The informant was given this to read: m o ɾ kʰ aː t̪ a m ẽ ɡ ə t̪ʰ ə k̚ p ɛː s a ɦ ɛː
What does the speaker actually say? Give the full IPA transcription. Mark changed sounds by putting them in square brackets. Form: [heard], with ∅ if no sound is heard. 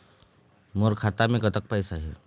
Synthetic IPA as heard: m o ɾ kʰ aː t̪ a m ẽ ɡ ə [t̪] ə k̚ p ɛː s a ɦ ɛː